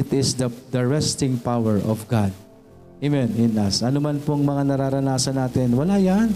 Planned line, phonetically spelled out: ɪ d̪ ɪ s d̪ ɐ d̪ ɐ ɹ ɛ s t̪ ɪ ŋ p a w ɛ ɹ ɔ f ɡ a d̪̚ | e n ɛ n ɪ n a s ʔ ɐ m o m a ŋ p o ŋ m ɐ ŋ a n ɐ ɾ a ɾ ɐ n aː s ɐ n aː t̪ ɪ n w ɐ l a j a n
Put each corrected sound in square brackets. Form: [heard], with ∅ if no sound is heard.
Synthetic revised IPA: ɪ [t̪] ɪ s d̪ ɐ d̪ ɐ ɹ ɛ s t̪ ɪ ŋ p a w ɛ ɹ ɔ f ɡ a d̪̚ | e [m] ɛ n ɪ n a s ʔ ɐ [n] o m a [n] p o ŋ m ɐ ŋ a n ɐ ɾ a ɾ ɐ n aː s ɐ n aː t̪ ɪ n w ɐ l a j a n